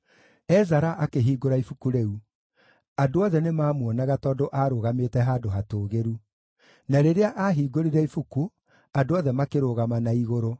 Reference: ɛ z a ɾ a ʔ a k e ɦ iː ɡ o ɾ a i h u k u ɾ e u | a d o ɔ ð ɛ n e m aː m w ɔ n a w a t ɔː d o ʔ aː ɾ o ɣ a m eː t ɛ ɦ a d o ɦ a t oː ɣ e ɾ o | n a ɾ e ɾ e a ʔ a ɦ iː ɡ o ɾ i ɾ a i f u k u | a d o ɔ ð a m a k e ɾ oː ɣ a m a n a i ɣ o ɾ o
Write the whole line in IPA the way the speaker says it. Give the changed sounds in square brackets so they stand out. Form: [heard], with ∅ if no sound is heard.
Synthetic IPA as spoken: ɛ z a ɾ a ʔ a k e ɦ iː ɡ o ɾ a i [f] u k u ɾ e u | a d o ɔ ð ɛ n e m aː m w ɔ n a [ɣ] a t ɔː d o ʔ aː ɾ o ɣ a m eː t ɛ ɦ a d o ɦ a t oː ɣ e ɾ [u] | n a ɾ e ɾ e a ʔ a ɦ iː ɡ o ɾ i ɾ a i f u k u | a d o ɔ ð [ɛ] m a k e ɾ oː ɣ a m a n a i ɣ o ɾ o